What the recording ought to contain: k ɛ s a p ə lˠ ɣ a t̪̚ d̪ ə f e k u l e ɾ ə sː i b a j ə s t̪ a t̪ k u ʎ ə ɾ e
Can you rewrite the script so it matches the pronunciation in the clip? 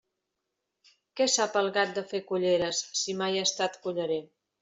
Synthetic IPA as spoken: k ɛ s a p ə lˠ ɣ a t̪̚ d̪ ə f e k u ʎ e ɾ ə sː i m a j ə s t̪ a t̪ k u ʎ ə ɾ e

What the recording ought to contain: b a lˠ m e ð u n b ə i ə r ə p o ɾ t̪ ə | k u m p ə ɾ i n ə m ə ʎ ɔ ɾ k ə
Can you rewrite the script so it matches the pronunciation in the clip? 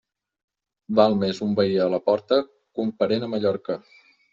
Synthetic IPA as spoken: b a lˠ m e z u m b ə i ə l ə p ɔ ɾ t̪ ə | k u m p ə ɾ e n ə m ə ʎ ɔ ɾ k ə

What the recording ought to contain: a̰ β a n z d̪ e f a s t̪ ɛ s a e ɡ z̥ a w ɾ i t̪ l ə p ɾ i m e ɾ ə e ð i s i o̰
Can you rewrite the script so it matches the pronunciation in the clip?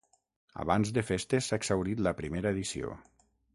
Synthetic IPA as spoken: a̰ β a n z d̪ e f e s t̪ e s a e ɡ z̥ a w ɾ i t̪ l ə p ɾ i m e ɾ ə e ð i s i o̰

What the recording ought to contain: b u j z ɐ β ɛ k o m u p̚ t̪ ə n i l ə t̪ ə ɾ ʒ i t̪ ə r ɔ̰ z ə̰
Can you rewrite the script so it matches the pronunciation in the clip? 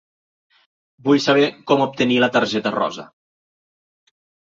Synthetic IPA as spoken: b u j s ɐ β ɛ k ɔ m u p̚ t̪ ə n i l ə t̪ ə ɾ ʒ ɛ t̪ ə r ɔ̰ z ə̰

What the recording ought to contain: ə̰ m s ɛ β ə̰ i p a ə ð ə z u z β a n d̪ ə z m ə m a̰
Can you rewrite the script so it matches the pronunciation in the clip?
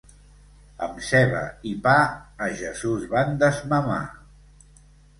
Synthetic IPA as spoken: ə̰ m s ɛ β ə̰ i p a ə ʒ ə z u z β a n d̪ ə z m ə m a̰

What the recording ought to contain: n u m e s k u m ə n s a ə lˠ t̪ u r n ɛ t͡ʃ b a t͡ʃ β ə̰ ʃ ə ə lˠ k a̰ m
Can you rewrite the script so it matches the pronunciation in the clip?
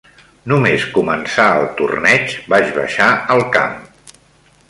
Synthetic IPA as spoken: n u m e s k u m ə n s a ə lˠ t̪ u r n ɛ t͡ʃ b a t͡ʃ β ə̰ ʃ a ə lˠ k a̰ m

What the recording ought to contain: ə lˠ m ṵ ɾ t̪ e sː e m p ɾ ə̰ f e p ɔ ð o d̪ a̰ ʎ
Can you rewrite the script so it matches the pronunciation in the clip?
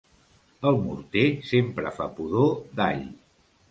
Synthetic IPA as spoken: ə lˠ m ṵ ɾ t̪ e s e m p ɾ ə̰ f a p u ð o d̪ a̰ ʎ

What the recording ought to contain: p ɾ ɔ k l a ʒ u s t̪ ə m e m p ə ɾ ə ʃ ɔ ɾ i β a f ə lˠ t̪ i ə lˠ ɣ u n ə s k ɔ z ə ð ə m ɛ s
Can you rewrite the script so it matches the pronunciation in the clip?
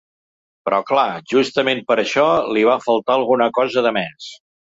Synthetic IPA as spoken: p ɾ ɔ k l a ʒ u s t̪ ə m e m p ə ɾ ə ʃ ɔ l i β a f ə lˠ t̪ a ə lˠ ɣ u n ə k ɔ z ə ð ə m ɛ s

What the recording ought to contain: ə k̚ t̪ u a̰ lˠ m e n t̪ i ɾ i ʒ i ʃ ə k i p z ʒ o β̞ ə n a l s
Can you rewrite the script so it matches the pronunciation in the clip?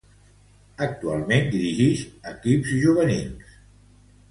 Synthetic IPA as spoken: ə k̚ t̪ u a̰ lˠ m e n d̪ i ɾ i ʒ i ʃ ə k i p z ʒ u β̞ ə n i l s

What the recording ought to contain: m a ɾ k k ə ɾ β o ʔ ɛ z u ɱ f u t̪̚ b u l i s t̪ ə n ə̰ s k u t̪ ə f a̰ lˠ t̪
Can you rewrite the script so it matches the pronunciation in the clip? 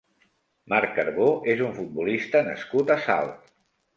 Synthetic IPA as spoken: m a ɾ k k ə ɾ β o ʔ e z u ɱ f u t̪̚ b u l i s t̪ ə n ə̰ s k u t̪ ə s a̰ lˠ t̪

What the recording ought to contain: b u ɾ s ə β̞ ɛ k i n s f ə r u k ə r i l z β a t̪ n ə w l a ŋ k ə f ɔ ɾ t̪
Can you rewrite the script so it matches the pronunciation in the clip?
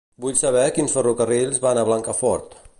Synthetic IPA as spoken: b u ʎ s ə β̞ ɛ k i n s f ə r u k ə r i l z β a n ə β l a ŋ k ə f ɔ ɾ t̪

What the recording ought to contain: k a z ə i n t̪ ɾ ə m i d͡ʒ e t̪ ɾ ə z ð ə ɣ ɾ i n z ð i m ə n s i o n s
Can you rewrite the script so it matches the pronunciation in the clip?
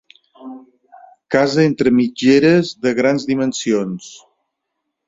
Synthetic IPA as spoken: k a z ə e n t̪ ɾ ə m i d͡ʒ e ɾ ə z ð ə ɣ ɾ a n z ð i m ə n s i o n s

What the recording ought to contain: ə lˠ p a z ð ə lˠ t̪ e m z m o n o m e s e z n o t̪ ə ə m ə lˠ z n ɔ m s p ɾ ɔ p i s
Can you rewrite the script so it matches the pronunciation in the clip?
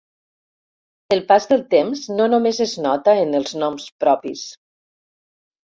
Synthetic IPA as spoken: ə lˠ p a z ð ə lˠ t̪ e m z n o n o m e z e z n ɔ t̪ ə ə n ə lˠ z n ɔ m s p ɾ ɔ p i s

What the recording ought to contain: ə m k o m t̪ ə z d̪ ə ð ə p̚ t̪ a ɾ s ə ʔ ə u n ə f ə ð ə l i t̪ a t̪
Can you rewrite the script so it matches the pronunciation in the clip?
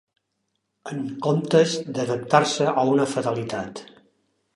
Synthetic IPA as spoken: ə ŋ k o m t̪ ə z d̪ ə ð ə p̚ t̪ a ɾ s ə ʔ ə u n ə f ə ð ə l i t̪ a t̪

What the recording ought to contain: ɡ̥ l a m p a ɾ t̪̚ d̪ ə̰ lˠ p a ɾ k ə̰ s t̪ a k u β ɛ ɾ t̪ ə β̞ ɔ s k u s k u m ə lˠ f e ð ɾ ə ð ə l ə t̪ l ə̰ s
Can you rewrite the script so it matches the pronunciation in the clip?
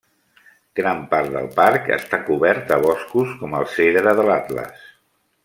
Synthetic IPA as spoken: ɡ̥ ɾ a m p a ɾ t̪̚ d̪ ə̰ lˠ p a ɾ k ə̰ s t̪ a k u β ɛ ɾ t̪ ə β̞ ɔ s k u s k ɔ m ə lˠ s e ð ɾ ə ð ə l a t̪ l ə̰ s

